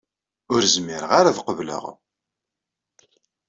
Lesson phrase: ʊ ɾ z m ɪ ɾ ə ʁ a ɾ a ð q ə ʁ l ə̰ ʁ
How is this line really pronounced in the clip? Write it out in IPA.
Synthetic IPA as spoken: ʊ ɾ z m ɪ ɾ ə ʁ a ɾ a ð q ə v l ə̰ ʁ